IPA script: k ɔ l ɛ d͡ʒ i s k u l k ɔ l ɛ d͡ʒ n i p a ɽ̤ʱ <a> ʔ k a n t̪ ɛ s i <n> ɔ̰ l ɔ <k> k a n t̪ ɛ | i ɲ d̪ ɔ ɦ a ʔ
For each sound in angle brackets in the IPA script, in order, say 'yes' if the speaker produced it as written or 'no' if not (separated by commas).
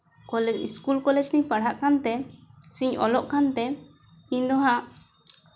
yes, no, no